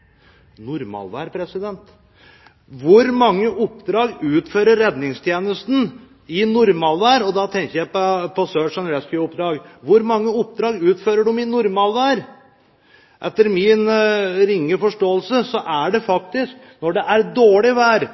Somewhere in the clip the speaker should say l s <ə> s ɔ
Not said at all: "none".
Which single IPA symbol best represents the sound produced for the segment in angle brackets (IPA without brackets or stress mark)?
ə